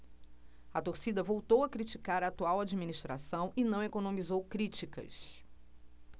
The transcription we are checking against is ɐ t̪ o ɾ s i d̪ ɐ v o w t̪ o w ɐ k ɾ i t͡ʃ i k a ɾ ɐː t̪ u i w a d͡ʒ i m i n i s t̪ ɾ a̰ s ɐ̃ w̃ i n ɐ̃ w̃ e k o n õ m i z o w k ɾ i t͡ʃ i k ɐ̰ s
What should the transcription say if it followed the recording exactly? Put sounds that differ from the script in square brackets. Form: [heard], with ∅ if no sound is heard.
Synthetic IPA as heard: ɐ t̪ o ɾ s i d̪ ɐ v o w t̪ o w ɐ k ɾ i t͡ʃ i k a ɾ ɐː t̪ u [a] w a d͡ʒ i m i n i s t̪ ɾ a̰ s ɐ̃ w̃ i n ɐ̃ w̃ e k o n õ m i z o w k ɾ i t͡ʃ i k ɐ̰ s